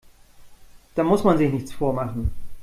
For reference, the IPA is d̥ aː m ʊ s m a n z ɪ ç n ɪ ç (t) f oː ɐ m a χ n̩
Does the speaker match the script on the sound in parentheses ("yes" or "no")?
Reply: no